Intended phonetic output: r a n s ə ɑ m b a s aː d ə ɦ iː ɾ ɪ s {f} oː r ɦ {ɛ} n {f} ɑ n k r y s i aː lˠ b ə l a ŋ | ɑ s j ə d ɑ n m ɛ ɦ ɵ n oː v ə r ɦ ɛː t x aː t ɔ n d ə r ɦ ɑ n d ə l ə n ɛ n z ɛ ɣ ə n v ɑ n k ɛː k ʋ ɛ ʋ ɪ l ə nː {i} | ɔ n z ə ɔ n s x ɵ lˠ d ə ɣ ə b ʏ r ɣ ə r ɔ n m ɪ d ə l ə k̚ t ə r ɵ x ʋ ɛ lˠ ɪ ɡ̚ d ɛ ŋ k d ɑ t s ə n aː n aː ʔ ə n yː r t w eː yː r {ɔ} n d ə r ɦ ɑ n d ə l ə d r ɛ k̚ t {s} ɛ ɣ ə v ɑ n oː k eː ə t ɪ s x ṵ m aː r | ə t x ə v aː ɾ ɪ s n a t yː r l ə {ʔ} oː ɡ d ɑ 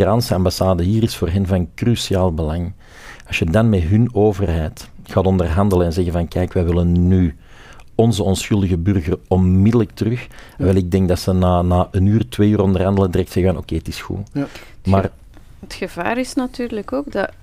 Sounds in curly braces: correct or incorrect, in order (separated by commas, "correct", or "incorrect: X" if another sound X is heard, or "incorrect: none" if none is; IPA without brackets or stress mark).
correct, correct, incorrect: v, incorrect: y, correct, correct, incorrect: k